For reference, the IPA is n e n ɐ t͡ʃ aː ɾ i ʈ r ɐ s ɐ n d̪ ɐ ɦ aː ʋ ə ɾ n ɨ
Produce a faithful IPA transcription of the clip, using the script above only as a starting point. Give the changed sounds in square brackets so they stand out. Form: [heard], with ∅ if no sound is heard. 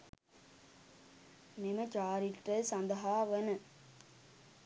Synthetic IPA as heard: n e [m] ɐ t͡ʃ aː ɾ i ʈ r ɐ s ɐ n d̪ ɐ ɦ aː ʋ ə [∅] n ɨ